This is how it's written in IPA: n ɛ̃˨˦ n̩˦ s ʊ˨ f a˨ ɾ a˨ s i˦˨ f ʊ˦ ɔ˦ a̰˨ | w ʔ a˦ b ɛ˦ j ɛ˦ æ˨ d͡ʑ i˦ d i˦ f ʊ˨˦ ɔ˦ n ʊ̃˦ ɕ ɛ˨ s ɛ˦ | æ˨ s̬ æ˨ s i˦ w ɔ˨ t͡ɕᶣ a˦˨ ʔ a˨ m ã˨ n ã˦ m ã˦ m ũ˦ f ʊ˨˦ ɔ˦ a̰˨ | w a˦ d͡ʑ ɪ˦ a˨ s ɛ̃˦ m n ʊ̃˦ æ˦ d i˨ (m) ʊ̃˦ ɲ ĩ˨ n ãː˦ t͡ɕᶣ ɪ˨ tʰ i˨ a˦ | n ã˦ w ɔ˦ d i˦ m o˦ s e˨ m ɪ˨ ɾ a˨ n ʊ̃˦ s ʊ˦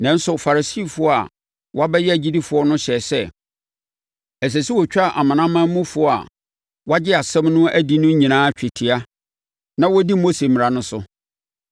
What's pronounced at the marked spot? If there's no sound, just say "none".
n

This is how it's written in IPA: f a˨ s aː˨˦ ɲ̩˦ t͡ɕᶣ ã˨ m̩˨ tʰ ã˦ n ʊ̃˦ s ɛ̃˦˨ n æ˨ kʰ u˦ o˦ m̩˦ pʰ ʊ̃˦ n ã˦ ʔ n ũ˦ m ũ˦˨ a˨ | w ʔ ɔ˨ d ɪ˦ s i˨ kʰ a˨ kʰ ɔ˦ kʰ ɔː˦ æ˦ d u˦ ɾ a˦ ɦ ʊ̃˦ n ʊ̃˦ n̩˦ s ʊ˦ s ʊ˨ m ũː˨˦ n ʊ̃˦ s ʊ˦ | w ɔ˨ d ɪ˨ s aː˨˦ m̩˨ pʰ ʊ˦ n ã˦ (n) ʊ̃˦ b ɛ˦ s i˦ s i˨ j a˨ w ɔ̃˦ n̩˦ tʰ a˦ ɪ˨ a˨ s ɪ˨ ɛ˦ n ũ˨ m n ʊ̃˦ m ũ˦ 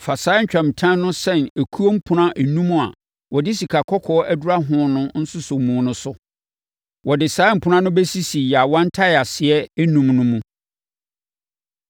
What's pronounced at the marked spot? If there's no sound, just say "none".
n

